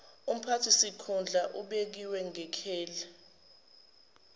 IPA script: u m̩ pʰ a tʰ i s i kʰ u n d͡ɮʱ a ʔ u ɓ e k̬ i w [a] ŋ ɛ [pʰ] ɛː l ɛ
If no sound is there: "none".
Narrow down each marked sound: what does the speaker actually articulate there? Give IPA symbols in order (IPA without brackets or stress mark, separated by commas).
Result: ɛ, kʰ